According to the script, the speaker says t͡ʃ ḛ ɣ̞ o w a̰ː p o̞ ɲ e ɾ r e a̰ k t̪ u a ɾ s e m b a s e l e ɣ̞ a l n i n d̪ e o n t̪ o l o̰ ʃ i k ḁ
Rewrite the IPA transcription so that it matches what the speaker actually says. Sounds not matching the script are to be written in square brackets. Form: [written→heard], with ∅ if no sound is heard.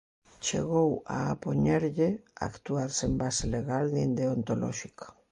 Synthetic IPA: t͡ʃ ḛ ɣ̞ o w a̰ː p o̞ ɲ e ɾ [r→ʎ] e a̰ k t̪ u a ɾ s e m b a s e l e ɣ̞ a l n i n d̪ e o n t̪ o l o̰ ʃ i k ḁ